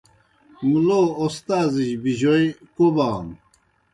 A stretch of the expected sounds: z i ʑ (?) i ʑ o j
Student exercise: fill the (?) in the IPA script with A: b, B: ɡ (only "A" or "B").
A